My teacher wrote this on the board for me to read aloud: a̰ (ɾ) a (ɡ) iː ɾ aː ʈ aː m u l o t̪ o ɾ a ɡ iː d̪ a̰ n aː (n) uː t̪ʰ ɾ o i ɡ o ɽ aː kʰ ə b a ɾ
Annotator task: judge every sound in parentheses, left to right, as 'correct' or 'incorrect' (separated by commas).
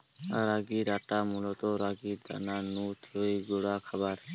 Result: correct, correct, correct